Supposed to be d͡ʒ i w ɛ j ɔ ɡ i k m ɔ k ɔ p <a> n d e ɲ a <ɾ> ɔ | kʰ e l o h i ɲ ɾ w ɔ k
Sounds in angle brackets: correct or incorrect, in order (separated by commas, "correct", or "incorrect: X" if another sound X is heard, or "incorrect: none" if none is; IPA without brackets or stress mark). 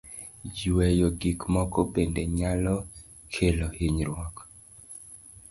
incorrect: e, incorrect: l